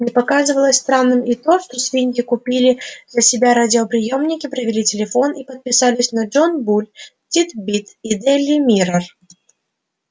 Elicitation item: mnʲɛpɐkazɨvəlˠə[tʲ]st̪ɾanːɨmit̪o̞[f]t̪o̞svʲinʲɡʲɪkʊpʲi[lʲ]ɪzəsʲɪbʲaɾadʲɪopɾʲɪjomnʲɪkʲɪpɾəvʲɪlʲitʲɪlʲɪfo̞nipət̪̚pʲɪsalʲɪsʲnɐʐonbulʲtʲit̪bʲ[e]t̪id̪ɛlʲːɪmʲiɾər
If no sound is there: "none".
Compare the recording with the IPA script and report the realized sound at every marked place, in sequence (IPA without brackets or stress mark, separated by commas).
sʲ, ʂ, lʲ, i